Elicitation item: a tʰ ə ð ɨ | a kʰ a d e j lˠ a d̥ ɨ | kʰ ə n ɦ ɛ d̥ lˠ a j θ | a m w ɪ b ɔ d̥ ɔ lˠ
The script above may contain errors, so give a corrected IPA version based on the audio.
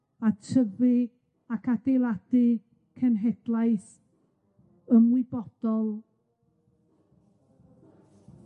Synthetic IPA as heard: a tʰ ə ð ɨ | a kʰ a d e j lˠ a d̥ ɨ | kʰ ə n ɦ ɛ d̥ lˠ a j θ | ə m w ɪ b ɔ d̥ ɔ lˠ